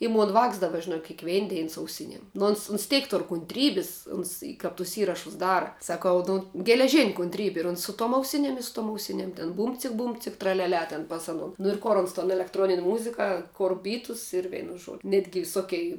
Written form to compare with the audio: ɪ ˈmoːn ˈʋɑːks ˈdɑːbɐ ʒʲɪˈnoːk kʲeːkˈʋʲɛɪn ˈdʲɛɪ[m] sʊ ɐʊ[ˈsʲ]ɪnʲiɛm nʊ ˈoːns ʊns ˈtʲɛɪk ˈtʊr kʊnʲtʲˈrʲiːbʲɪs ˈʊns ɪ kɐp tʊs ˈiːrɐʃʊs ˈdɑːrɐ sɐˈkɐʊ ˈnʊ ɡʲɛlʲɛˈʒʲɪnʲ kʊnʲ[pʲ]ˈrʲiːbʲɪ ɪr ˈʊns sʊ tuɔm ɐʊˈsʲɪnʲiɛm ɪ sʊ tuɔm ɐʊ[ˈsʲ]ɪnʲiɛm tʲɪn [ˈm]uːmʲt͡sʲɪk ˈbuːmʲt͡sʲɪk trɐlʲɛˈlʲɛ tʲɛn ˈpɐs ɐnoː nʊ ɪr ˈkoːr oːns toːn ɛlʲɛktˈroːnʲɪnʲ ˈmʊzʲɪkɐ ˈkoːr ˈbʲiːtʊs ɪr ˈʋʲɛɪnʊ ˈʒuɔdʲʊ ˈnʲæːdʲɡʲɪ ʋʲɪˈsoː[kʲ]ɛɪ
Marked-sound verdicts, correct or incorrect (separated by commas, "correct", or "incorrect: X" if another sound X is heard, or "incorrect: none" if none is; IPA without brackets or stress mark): incorrect: n, correct, incorrect: tʲ, correct, incorrect: b, correct